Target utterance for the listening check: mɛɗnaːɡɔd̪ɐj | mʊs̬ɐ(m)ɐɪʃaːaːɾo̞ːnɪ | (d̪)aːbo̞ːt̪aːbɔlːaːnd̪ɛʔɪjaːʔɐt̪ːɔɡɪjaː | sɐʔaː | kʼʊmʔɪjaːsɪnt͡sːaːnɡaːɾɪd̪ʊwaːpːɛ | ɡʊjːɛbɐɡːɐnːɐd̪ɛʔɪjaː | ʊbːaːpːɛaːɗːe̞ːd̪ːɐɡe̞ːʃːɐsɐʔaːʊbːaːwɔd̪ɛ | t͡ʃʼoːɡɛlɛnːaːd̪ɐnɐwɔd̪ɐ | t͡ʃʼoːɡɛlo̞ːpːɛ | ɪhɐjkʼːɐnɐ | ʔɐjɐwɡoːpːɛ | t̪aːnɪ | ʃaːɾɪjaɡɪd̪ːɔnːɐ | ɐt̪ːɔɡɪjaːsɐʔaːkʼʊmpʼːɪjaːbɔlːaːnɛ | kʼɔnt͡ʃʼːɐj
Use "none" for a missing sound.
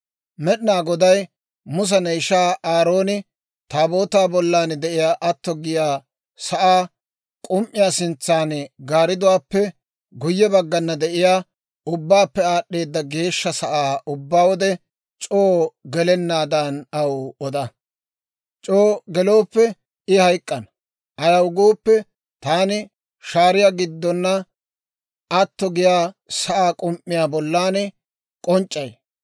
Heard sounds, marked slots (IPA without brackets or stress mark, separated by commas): n, t̪